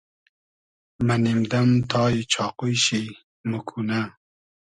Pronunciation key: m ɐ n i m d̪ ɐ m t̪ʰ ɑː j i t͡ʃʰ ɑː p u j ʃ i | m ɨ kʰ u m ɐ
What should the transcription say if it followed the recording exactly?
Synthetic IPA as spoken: m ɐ n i m d̪ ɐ m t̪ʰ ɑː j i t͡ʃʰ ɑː q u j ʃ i | m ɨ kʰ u n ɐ